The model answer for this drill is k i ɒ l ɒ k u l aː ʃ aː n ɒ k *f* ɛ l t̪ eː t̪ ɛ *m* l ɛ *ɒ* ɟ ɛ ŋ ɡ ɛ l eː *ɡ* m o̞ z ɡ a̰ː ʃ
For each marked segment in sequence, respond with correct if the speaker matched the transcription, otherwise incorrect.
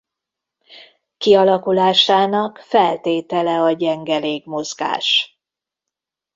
correct, incorrect, correct, correct

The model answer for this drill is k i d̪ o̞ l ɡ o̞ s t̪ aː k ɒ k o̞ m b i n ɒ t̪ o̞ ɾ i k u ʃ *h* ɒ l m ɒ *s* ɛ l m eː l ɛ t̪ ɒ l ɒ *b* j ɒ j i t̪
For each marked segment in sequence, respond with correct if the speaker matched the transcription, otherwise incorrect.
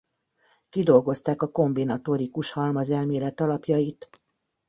correct, incorrect, incorrect

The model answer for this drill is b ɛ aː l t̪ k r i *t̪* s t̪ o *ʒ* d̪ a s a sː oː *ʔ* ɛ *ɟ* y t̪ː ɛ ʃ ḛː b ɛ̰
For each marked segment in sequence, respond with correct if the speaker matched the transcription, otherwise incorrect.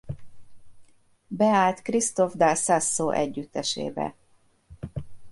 incorrect, incorrect, correct, incorrect

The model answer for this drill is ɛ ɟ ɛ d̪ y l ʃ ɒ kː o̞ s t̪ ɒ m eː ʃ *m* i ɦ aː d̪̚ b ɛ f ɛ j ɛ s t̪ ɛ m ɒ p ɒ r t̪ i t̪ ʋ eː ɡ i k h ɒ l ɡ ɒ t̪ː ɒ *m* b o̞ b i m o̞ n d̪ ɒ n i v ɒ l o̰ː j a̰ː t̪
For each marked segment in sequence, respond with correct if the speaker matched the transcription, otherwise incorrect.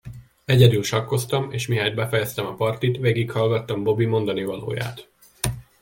correct, correct

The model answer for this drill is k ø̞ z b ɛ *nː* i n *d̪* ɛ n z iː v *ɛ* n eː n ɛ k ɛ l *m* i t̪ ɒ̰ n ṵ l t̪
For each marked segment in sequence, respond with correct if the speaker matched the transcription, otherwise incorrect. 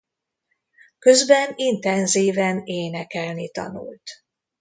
incorrect, incorrect, correct, incorrect

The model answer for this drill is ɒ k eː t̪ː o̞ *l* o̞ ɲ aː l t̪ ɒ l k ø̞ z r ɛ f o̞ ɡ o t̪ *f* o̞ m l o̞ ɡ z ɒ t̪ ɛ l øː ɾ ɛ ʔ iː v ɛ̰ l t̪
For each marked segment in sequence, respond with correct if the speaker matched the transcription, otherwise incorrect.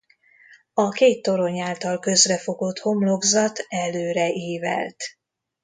incorrect, incorrect

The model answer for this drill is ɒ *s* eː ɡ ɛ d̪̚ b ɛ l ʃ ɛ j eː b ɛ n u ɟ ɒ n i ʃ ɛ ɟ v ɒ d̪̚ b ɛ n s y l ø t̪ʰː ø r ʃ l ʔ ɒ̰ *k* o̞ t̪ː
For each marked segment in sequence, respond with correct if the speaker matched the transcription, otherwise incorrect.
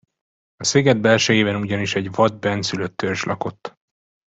correct, correct

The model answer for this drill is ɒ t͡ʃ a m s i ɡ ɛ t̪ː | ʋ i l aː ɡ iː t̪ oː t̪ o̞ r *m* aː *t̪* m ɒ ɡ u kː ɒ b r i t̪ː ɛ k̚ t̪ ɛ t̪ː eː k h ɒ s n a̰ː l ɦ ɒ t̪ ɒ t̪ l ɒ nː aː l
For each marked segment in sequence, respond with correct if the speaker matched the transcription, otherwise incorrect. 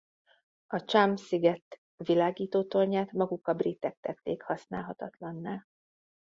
incorrect, correct

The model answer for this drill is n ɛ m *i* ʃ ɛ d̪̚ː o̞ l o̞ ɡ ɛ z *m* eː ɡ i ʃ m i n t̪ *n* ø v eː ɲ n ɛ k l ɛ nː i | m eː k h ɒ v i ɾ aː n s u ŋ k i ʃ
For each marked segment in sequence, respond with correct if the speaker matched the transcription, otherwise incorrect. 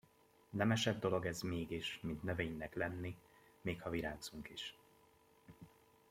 incorrect, correct, correct

